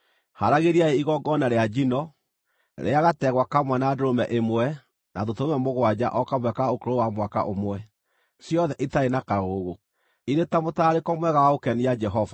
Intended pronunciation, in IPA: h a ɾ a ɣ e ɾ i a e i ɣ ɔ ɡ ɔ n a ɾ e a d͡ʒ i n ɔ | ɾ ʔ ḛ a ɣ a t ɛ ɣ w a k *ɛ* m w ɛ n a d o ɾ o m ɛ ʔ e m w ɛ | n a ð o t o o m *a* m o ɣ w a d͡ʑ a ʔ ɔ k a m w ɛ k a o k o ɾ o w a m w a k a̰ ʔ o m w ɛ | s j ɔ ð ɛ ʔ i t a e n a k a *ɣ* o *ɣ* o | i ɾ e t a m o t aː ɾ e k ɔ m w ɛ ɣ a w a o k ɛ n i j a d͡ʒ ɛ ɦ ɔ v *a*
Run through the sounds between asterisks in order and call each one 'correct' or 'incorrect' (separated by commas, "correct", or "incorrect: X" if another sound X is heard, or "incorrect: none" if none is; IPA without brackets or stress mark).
incorrect: a, incorrect: ɛ, correct, correct, correct